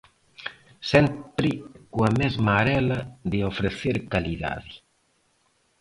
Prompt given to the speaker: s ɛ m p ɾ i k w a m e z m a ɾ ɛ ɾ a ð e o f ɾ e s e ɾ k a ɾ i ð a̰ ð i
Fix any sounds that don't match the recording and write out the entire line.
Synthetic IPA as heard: s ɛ m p ɾ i k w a m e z m a ɾ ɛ l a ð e o f ɾ e θ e ɾ k a l i ð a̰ ð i